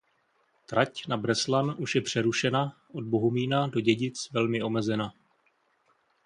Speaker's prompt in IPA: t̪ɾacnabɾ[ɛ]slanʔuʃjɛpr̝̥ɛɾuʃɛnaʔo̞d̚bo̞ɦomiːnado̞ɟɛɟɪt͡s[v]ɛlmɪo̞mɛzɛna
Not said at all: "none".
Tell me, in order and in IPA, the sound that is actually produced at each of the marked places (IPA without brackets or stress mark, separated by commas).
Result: ɛ, v